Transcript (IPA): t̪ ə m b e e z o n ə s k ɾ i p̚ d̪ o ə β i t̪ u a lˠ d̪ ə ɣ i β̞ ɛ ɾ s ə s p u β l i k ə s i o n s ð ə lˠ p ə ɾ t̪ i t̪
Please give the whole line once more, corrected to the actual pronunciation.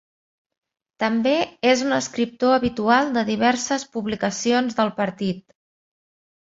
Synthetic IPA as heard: t̪ ə m b e e z u n ə s k ɾ i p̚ t̪ o ə β i t̪ u a lˠ d̪ ə ð i β̞ ɛ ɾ s ə s p u β l i k ə s i o n z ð ə lˠ p ə ɾ t̪ i t̪